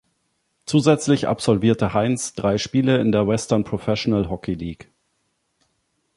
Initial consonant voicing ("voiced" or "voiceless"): voiceless